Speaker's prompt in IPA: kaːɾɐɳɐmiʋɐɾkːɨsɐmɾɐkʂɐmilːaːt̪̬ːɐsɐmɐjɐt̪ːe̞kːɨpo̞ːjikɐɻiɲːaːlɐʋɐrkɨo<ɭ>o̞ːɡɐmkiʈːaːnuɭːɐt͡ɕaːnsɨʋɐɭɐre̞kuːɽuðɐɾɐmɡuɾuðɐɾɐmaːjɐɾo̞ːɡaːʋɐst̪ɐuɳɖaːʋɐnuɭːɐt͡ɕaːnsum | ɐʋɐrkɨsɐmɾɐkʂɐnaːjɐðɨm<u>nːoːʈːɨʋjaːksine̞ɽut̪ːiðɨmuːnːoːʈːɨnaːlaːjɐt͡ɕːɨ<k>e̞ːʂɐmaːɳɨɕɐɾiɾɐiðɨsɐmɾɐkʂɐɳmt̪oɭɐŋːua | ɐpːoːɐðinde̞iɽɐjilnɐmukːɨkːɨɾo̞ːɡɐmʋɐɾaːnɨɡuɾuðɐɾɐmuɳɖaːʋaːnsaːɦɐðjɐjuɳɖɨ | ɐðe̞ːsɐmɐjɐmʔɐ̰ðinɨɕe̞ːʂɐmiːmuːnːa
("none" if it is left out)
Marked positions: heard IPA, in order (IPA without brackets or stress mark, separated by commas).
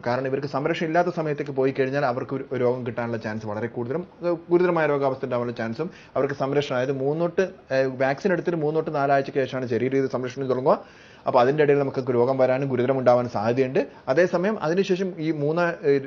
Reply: ɾ, uː, k